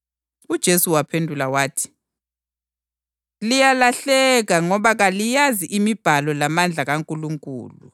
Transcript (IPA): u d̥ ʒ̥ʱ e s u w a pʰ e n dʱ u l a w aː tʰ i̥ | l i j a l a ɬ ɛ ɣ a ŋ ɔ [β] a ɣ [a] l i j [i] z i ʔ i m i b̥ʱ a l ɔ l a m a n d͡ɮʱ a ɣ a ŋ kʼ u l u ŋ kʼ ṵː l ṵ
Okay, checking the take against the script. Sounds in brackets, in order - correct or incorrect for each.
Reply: correct, correct, incorrect: a

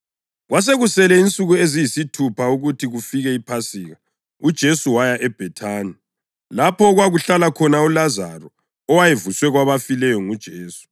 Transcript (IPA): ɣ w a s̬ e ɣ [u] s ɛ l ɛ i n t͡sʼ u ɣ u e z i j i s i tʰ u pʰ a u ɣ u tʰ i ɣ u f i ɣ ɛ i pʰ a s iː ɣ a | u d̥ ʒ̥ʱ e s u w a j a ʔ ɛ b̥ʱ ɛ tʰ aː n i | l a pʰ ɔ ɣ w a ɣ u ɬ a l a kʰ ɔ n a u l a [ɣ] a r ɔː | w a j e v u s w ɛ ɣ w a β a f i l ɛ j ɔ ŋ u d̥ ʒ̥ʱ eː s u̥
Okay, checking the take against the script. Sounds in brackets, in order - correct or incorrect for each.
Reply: correct, incorrect: z

